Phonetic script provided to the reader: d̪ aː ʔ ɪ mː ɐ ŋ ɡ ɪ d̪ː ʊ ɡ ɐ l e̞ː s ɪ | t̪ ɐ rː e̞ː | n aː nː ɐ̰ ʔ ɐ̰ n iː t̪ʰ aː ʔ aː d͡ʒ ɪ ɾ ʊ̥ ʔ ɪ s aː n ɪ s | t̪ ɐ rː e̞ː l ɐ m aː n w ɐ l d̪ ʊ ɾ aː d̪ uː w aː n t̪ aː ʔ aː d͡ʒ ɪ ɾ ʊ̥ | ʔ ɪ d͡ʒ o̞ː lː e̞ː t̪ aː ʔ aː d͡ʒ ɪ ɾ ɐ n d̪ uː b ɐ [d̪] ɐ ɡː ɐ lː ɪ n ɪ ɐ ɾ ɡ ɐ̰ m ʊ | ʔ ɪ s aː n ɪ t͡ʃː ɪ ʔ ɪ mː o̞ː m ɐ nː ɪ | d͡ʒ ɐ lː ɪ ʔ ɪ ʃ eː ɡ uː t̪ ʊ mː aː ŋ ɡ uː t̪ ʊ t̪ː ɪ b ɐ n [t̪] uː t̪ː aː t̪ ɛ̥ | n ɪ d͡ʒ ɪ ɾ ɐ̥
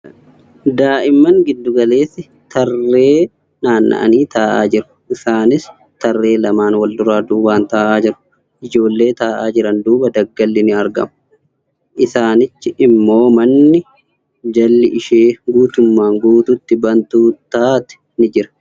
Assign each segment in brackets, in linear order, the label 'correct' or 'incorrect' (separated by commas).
correct, correct